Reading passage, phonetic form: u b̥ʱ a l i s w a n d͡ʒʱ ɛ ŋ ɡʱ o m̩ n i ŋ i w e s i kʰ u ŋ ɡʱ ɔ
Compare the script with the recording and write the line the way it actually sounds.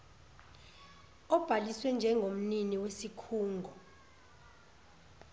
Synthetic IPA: ɔ b̥ʱ a l i s w ɛ n d͡ʒʱ ɛ ŋ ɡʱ o m̩ n i n i w e s i kʰ uː ŋ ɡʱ ɔ